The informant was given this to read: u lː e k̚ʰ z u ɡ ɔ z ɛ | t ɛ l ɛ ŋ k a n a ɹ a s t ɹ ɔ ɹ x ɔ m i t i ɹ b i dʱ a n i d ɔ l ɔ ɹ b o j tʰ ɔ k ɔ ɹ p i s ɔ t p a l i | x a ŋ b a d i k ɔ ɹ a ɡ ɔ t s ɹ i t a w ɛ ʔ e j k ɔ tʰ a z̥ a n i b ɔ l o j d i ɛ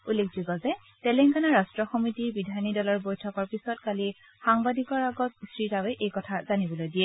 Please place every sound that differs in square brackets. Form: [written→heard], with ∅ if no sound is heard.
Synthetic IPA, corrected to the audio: u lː e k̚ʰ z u ɡ ɔ z ɛ | t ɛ l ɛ ŋ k a n a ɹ a s t ɹ ɔ [ɹ→∅] x ɔ m i t i ɹ b i dʱ a n i d ɔ l ɔ ɹ b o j tʰ ɔ k ɔ ɹ p i s ɔ t [p→k] a l i | x a ŋ b a d i k ɔ ɹ a ɡ ɔ t s ɹ i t a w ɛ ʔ e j k ɔ tʰ a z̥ a n i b ɔ l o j d i ɛ

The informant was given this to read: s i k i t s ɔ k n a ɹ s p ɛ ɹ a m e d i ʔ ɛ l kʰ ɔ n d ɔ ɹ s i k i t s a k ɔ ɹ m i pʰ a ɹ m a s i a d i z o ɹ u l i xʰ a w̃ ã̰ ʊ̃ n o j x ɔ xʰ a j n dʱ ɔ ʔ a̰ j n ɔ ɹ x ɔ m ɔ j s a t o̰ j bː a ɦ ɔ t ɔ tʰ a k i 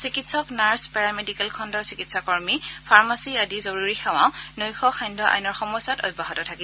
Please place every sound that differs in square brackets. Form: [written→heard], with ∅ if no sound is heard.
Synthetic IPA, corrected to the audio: s i k i t s ɔ k n a ɹ s p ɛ ɹ a m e d i [ʔ→k] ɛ l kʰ ɔ n d ɔ ɹ s i k i t s a k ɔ ɹ m i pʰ a ɹ m a s i a d i z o ɹ u [l→ɹ] i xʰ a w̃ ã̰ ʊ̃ n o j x ɔ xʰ a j n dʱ ɔ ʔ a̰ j n ɔ ɹ x ɔ m ɔ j s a t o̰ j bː a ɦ ɔ t ɔ tʰ a k i

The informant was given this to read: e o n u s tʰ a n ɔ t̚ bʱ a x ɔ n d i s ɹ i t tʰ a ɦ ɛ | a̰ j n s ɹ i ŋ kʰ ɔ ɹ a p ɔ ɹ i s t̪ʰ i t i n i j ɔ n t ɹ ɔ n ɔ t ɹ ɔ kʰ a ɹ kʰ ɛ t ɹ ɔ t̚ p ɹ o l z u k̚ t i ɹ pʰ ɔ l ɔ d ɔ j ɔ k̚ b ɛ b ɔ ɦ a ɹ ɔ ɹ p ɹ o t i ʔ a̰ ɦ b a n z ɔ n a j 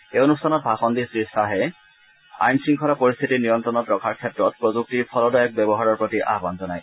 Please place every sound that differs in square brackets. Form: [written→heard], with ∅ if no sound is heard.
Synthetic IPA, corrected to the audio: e o n u s tʰ a n ɔ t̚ bʱ a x ɔ n d i s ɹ i [t→s] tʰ a ɦ ɛ | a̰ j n s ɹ i ŋ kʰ ɔ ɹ a p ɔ ɹ i s t̪ʰ i t i n i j ɔ n t ɹ ɔ n ɔ t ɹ ɔ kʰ a ɹ kʰ ɛ t ɹ ɔ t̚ p ɹ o [l→∅] z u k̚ t i ɹ pʰ ɔ l ɔ d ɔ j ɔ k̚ b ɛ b ɔ ɦ a ɹ ɔ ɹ p ɹ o t i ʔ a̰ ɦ b a n z ɔ n a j

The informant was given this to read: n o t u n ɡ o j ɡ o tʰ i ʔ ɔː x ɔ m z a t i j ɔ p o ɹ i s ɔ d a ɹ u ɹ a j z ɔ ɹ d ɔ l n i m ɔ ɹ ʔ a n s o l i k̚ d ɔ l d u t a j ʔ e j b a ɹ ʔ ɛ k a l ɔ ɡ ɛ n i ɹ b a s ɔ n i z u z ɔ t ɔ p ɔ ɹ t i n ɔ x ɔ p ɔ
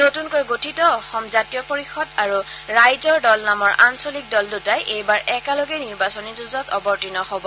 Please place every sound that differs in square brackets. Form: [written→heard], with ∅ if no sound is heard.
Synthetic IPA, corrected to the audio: n o t u n [ɡ→k] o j ɡ o tʰ i [ʔ→t] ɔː x ɔ m z a t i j ɔ p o ɹ i [s→x] ɔ d a ɹ u ɹ a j z ɔ ɹ d ɔ l n [i→a] m ɔ ɹ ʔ a n s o l i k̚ d ɔ l d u t a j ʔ e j b a ɹ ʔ ɛ k a l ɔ ɡ ɛ n i ɹ b a s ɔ n i z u z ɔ t ɔ [p→b] ɔ ɹ t i n ɔ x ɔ [p→b] ɔ

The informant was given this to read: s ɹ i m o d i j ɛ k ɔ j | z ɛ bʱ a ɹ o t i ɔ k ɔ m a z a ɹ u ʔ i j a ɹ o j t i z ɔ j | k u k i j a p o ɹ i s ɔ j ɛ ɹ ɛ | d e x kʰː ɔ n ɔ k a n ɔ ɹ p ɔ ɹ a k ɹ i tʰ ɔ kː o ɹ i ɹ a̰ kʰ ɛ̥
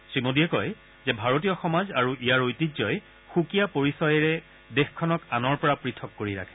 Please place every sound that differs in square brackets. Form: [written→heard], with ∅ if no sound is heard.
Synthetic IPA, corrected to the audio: s ɹ i m o d i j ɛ k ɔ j | z ɛ bʱ a ɹ o t i ɔ [k→x] ɔ m a z a ɹ u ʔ i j a ɹ o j t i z ɔ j | [k→x] u k i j a p o ɹ i s ɔ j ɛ ɹ ɛ | d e x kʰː ɔ n ɔ k a n ɔ ɹ p ɔ ɹ a [k→p] ɹ i tʰ ɔ kː o ɹ i ɹ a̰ kʰ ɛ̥

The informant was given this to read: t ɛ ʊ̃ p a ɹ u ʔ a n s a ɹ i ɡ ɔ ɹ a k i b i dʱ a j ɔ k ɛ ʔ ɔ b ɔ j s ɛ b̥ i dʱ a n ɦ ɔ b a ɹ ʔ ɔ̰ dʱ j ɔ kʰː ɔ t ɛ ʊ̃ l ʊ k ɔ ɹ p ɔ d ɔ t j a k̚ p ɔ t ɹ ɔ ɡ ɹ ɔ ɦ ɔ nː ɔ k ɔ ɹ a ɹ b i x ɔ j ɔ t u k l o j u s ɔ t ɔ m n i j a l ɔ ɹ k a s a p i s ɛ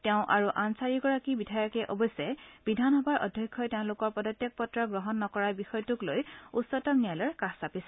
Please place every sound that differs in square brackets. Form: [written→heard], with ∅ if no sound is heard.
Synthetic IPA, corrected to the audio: t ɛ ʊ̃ [p→ʔ] a ɹ u ʔ a n s a ɹ i ɡ ɔ ɹ a k i b i dʱ a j ɔ k ɛ ʔ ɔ b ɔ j s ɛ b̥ i dʱ a n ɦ ɔ b a ɹ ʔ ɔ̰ dʱ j ɔ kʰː ɔ t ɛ ʊ̃ l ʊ k ɔ ɹ p ɔ d ɔ t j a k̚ p ɔ t ɹ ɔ ɡ ɹ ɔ ɦ ɔ nː ɔ k ɔ ɹ a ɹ b i x ɔ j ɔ t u k l o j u s ɔ t ɔ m n i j a l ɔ ɹ k a s a p i s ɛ

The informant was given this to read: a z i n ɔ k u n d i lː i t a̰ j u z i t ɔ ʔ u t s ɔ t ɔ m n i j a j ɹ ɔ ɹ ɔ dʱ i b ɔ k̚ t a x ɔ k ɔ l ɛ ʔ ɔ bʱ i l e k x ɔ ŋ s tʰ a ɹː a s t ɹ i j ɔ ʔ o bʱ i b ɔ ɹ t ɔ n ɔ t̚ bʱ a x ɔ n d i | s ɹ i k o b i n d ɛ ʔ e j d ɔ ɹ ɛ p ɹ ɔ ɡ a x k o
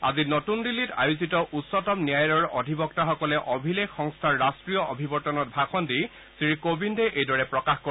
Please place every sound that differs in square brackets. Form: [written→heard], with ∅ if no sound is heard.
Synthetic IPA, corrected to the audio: a z i n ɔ [k→t] u n d i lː i t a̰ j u z i t ɔ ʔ u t s ɔ t ɔ m n i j a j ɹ ɔ ɹ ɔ dʱ i b ɔ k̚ t a x ɔ k ɔ l ɛ ʔ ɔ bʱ i l e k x ɔ ŋ s tʰ a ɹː a s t ɹ i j ɔ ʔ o bʱ i b ɔ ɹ t ɔ n ɔ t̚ bʱ a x ɔ n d i | s ɹ i k o b i n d ɛ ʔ e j d ɔ ɹ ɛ p ɹ ɔ [ɡ→k] a x k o

